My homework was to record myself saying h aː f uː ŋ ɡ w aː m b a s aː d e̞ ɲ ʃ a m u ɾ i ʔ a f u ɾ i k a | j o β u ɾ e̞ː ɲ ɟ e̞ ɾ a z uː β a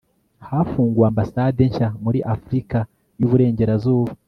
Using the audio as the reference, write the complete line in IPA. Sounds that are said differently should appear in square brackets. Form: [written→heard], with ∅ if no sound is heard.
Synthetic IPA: h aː f uː ŋ ɡ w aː m b a s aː d e̞ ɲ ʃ a m u ɾ i ʔ a f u ɾ i k a | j [o→u] β u ɾ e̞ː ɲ ɟ e̞ ɾ a z uː β a